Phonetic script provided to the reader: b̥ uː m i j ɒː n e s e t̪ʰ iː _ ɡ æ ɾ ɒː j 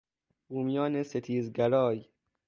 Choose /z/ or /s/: z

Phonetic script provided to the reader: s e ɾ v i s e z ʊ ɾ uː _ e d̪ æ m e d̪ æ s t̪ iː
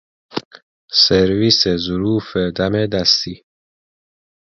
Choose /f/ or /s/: f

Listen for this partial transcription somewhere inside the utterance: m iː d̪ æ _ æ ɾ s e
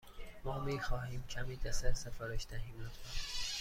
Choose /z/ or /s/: s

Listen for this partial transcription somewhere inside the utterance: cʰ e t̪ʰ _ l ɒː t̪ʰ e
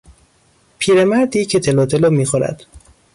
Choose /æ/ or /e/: e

